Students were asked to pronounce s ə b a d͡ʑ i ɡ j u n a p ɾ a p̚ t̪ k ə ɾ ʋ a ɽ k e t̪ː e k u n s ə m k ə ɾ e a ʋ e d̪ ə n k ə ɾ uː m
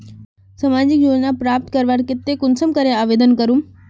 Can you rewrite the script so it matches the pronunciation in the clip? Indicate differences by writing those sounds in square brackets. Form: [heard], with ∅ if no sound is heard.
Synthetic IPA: s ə [m] a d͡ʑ i [k] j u n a p ɾ a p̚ t̪ k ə ɾ ʋ a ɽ k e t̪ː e k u n s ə m k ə ɾ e a ʋ e d̪ ə n k ə ɾ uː m